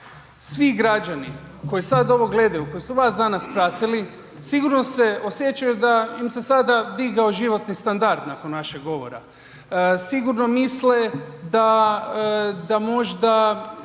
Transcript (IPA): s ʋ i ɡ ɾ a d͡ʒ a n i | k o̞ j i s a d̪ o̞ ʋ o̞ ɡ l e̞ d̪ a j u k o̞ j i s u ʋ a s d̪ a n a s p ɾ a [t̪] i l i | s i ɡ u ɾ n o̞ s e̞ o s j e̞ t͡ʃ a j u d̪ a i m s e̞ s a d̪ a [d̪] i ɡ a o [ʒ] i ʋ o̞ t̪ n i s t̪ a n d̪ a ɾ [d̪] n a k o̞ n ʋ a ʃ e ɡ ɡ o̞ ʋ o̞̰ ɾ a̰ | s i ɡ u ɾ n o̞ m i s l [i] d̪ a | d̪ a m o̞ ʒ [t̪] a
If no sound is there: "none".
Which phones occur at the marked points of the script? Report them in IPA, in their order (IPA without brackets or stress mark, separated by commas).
t̪, d̪, ʒ, d̪, e, d̪